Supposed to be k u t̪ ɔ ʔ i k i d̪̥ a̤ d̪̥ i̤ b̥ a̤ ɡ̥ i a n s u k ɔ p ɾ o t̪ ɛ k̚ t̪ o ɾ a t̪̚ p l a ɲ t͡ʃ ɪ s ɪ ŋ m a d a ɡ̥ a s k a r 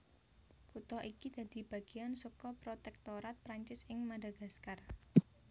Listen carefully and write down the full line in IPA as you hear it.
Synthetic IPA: k u t̪ ɔ ʔ i k i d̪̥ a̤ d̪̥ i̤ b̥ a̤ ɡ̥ i a n s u k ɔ p ɾ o t̪ ɛ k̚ t̪ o ɾ a t̪̚ p ɾ a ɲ t͡ʃ ɪ s ɪ ŋ m a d a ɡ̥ a s k a r